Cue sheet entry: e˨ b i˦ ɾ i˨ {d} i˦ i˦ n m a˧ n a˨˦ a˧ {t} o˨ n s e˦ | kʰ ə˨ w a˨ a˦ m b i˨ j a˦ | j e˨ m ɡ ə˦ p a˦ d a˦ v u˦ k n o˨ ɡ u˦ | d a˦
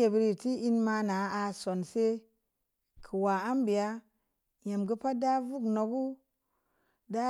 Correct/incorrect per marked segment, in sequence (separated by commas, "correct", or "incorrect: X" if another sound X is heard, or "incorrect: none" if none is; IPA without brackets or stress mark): incorrect: t, incorrect: s